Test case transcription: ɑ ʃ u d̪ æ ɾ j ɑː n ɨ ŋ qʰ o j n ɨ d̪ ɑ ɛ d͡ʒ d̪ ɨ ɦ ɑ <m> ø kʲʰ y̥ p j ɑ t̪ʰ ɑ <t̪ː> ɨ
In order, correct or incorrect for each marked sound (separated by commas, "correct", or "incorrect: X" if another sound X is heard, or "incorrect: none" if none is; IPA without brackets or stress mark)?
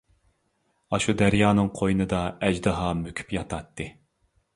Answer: correct, correct